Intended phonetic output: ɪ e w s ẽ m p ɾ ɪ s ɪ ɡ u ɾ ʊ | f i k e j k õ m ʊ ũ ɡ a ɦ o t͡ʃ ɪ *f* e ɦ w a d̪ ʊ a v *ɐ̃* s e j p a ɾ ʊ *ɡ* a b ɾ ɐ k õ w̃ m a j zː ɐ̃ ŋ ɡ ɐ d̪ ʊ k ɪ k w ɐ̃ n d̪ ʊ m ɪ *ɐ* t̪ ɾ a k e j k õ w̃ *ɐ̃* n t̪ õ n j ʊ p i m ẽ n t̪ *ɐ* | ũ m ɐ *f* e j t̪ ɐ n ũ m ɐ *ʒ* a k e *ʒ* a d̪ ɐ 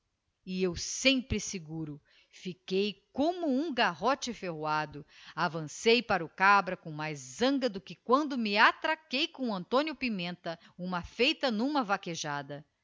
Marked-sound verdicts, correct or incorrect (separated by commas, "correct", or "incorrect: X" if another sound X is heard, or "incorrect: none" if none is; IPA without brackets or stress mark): correct, correct, incorrect: k, incorrect: a, correct, correct, correct, incorrect: v, correct